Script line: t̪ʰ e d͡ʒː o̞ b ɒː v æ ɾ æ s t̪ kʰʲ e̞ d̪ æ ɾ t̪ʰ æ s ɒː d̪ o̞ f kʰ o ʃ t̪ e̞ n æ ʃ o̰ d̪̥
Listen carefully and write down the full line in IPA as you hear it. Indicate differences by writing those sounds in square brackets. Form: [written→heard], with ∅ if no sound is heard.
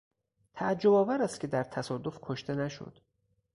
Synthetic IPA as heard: t̪ʰ [e→æ] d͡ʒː o̞ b ɒː v æ ɾ æ s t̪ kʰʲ e̞ d̪ æ ɾ t̪ʰ æ s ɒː d̪ o̞ f kʰ o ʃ t̪ e̞ n æ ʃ o̰ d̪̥